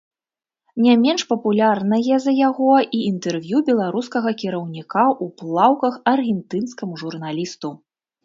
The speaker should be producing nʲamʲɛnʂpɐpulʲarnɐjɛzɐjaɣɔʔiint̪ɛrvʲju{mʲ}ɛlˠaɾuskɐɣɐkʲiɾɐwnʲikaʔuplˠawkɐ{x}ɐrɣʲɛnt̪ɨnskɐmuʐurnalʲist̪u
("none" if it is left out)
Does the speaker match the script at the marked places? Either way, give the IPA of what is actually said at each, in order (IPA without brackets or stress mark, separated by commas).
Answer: bʲ, x